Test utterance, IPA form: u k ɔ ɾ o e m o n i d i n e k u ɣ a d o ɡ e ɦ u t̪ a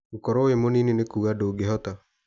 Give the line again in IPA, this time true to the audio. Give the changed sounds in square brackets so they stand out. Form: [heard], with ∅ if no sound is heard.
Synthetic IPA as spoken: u k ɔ ɾ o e m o n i [n] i n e k u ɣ a d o ɡ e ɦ [ɔ] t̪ a